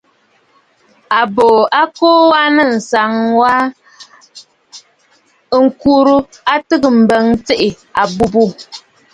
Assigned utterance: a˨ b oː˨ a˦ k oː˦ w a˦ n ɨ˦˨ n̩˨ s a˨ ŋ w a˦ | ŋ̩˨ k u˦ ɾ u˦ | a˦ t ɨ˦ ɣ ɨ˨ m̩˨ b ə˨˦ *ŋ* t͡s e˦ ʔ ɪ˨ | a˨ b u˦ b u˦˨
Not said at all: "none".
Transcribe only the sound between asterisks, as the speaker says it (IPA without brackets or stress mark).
ŋ